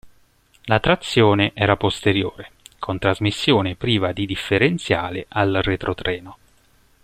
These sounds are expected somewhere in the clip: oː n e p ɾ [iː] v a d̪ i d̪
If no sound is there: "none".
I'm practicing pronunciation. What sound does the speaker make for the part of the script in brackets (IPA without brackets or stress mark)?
iː